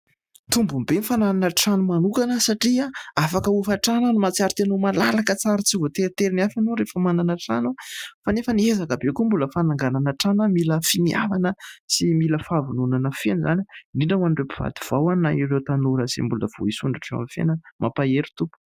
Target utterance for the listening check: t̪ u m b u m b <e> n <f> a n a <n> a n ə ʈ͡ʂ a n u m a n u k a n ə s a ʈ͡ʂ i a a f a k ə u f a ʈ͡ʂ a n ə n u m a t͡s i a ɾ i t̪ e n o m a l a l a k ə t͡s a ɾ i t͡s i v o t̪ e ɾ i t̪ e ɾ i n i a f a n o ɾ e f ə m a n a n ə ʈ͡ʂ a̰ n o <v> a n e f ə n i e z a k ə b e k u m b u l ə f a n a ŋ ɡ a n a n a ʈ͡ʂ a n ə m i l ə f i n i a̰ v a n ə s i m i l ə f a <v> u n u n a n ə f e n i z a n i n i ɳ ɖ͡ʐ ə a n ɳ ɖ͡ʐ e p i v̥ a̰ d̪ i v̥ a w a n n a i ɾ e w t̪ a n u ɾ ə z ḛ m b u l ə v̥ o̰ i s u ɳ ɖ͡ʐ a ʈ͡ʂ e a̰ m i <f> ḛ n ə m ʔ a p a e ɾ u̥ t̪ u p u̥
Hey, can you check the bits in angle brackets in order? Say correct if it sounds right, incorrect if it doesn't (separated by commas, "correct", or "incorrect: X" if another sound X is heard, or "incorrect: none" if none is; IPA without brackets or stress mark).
correct, correct, correct, incorrect: f, correct, correct